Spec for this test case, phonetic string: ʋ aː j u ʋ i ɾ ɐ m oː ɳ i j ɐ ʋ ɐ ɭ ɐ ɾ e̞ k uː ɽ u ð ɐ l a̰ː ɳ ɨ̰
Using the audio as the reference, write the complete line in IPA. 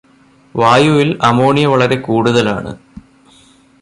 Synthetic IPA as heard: ʋ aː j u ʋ i l ɐ m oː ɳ i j ɐ ʋ ɐ ɭ ɐ ɾ e̞ k uː ɽ u ð ɐ l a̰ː ɳ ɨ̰

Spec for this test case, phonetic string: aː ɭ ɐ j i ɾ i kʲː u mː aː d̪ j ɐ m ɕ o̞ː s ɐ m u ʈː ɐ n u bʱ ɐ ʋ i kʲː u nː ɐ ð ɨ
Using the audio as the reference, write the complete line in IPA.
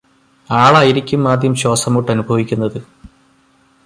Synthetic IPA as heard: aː ɭ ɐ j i ɾ i kʲː u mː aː d̪ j ɐ m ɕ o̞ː s ɐ m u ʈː ɐ n u bʱ ɐ ʋ i kʲː u nː ɐ ð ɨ

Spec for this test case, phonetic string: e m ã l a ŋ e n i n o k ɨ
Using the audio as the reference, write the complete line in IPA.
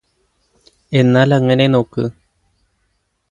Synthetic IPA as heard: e n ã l a ŋ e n e n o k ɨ

